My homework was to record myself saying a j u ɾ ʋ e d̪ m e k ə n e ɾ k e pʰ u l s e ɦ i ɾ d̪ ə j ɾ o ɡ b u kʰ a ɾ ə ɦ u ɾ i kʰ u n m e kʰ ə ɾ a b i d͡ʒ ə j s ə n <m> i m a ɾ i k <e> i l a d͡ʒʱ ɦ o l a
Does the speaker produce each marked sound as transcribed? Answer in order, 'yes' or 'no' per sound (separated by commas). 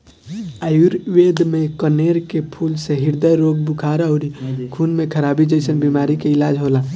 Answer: no, yes